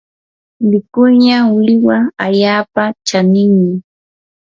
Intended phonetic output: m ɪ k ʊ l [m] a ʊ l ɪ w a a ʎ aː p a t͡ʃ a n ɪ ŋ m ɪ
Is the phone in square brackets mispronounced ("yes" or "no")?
yes